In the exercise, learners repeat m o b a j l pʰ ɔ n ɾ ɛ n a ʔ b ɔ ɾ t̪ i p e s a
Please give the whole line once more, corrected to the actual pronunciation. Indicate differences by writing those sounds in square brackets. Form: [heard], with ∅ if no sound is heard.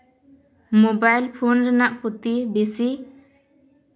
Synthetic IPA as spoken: m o b a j l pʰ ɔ n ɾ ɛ n a ʔ [p] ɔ [∅] t̪ i [b] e s [i]